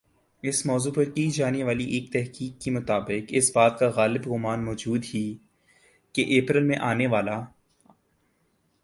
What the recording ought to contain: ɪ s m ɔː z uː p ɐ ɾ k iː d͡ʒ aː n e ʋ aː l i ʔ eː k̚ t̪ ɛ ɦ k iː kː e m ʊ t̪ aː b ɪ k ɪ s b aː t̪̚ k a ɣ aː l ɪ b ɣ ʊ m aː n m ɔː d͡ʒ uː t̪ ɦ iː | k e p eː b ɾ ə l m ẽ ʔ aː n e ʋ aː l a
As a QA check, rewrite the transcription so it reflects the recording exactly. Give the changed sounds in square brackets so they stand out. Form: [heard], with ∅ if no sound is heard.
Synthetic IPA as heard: ɪ s m ɔː z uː p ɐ ɾ k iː d͡ʒ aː n e ʋ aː l i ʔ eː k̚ t̪ ɛ ɦ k iː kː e m ʊ t̪ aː b ɪ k ɪ s b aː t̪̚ k a ɣ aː l ɪ b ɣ ʊ m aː n m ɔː d͡ʒ uː [d̪] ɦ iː | k e [ʔ] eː [p] ɾ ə l m ẽ ʔ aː n e ʋ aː l a